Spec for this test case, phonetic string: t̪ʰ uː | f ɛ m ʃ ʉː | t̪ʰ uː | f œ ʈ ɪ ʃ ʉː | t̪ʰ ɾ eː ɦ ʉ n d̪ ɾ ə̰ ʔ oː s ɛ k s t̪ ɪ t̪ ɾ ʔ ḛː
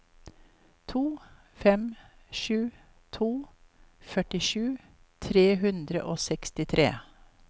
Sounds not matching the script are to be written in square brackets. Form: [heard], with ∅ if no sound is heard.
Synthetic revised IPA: t̪ʰ uː | f ɛ m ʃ ʉː | t̪ʰ uː | f œ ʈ ɪ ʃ ʉː | t̪ʰ ɾ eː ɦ ʉ n d̪ ɾ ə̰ ʔ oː s ɛ k s t̪ ɪ [t̪ʰ] ɾ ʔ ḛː